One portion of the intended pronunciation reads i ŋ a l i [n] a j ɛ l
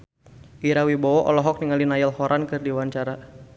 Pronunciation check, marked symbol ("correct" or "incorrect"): correct